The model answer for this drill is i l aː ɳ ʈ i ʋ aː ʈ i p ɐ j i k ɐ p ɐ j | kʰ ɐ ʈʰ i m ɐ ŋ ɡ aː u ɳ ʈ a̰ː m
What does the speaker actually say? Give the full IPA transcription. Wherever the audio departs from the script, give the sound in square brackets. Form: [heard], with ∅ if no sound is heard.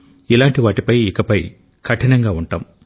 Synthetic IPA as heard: i l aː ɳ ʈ i ʋ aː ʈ i p ɐ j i k ɐ p ɐ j | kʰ ɐ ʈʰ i [n] ɐ ŋ ɡ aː u ɳ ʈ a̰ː m